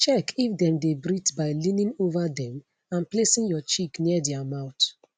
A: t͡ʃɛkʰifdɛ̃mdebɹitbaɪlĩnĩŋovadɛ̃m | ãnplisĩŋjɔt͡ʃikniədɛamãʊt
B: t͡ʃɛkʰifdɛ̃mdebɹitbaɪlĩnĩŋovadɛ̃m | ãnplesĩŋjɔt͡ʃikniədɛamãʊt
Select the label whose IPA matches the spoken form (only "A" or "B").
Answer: B